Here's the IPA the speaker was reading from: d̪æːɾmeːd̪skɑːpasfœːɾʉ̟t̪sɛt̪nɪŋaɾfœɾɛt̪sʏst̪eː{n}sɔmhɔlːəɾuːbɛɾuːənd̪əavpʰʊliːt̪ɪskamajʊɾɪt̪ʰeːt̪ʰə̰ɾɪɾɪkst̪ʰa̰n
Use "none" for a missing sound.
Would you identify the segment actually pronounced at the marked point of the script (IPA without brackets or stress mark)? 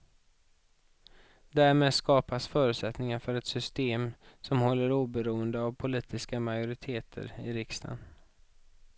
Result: m